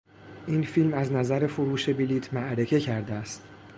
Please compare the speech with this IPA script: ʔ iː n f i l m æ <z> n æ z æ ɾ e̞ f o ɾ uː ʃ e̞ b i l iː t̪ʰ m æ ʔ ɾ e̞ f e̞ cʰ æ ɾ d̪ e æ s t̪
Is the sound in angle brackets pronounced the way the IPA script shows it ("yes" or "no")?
yes